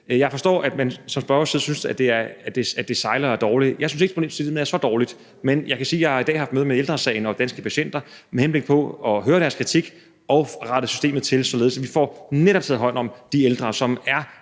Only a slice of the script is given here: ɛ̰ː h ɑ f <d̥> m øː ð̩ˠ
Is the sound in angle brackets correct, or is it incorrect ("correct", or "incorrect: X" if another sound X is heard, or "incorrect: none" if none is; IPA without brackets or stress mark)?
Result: correct